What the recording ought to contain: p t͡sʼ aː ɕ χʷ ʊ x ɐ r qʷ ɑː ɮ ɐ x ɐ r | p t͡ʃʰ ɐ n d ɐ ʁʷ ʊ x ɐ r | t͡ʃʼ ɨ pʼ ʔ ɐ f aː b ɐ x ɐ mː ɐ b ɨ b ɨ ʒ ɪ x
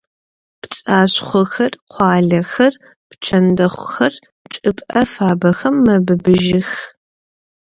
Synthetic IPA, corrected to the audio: p t͡sʼ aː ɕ χʷ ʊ x ɐ r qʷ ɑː ɮ ɐ x ɐ r | p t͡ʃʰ ɐ n d ɐ χʷ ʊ x ɐ r | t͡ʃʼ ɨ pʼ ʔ ɐ f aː b ɐ x ɐ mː ɐ b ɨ b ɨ ʒ ɪ x